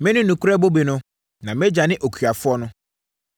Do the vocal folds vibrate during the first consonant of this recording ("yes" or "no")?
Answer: yes